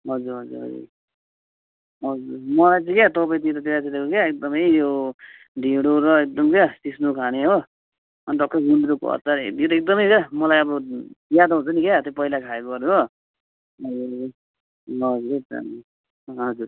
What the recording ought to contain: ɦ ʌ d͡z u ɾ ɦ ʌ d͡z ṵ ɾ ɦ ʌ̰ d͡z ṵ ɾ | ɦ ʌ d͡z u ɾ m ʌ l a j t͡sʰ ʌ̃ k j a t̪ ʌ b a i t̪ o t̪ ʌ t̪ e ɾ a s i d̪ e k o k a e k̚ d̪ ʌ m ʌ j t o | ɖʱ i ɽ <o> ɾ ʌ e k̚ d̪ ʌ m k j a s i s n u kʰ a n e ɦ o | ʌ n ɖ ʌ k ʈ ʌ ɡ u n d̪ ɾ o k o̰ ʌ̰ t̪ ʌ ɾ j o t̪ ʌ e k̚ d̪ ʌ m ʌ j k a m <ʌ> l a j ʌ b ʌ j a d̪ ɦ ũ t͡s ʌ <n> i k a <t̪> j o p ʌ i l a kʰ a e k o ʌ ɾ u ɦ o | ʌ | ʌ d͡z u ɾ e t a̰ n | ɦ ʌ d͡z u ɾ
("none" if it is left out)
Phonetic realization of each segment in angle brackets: o, ʌ, n, t̪

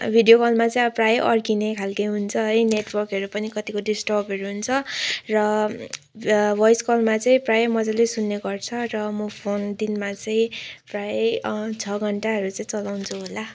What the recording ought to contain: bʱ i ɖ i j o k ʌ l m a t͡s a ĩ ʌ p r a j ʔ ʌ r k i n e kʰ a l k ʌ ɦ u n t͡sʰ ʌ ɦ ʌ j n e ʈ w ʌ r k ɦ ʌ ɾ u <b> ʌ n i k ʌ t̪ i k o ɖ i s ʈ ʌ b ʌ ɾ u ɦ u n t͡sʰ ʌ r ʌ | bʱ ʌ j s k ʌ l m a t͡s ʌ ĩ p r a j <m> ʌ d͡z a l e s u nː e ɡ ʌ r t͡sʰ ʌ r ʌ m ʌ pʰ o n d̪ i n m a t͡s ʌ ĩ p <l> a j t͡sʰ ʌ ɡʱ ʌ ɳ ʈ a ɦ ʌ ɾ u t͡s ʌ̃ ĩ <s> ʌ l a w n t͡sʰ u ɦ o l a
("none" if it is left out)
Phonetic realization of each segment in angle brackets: p, m, r, t͡s

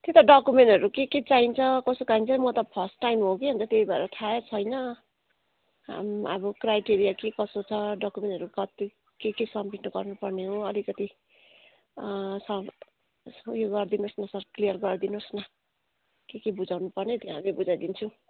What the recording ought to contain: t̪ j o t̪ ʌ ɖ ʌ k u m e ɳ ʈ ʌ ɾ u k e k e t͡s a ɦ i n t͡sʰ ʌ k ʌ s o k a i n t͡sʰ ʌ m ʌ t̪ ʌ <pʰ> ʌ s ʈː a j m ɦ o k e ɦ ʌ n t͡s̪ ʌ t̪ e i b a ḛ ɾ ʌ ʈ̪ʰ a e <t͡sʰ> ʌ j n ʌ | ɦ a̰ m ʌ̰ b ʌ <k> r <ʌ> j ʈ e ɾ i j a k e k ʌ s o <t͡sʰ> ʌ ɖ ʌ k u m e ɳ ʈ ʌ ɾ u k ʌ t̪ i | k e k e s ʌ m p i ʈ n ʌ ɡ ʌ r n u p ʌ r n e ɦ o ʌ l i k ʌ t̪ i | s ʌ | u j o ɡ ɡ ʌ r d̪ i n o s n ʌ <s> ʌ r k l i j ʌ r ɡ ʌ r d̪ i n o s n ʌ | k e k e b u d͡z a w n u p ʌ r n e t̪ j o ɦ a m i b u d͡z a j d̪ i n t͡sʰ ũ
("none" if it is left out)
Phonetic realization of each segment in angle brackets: pʰ, t͡sʰ, k, a, t͡sʰ, s

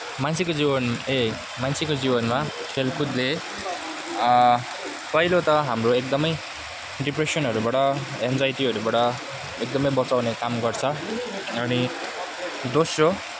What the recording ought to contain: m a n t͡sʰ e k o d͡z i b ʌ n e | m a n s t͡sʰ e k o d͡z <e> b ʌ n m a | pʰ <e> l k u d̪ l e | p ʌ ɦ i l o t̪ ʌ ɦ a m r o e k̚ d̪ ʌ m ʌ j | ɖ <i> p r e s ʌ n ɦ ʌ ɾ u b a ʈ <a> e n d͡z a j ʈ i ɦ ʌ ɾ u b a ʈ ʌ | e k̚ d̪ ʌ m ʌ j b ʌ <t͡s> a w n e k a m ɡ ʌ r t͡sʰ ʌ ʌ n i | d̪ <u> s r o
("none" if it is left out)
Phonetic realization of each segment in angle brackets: i, e, i, ʌ, t͡s, o

